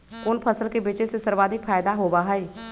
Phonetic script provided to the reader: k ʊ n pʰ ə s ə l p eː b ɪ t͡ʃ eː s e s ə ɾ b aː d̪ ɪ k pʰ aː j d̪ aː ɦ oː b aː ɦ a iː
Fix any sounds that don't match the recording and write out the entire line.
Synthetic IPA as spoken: k ʊ n pʰ ə s ə l k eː b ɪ t͡ʃ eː s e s ə ɾ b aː d̪ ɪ k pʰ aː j d̪ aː ɦ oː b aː ɦ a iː